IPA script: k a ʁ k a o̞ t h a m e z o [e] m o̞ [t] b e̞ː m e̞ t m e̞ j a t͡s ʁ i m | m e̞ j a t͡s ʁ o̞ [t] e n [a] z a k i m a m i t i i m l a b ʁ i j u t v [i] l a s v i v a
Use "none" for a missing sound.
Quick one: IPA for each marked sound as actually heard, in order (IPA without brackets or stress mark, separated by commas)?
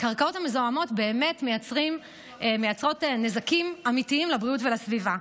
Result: a, t, t, e, e